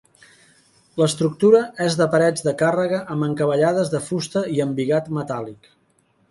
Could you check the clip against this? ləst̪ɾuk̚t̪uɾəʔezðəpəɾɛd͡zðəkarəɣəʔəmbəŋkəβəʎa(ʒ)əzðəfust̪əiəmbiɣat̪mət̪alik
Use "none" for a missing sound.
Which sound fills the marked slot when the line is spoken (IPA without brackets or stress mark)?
ð